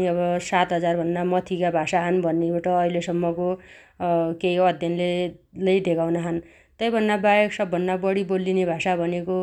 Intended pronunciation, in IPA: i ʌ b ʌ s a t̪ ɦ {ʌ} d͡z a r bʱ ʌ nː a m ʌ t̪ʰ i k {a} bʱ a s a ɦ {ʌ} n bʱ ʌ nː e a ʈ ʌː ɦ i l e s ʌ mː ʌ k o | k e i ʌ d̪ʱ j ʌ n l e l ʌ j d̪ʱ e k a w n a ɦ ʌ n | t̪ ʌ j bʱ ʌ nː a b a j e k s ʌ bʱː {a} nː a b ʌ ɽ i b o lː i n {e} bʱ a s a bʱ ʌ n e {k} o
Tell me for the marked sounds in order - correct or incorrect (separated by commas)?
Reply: correct, correct, correct, incorrect, correct, correct